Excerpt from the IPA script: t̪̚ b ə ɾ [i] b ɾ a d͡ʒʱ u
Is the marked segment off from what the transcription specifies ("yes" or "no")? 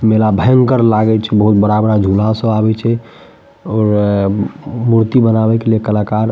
yes